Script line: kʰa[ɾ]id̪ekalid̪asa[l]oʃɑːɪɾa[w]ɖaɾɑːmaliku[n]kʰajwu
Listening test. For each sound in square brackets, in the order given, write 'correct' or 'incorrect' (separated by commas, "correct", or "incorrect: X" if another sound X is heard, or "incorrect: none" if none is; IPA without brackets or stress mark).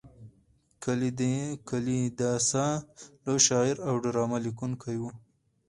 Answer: incorrect: l, correct, correct, correct